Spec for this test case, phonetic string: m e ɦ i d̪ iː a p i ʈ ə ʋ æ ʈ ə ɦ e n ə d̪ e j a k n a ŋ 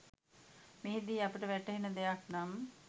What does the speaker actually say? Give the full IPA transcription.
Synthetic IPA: m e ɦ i d̪ iː a p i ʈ ə ʋ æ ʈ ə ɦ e n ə d̪ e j a k n a m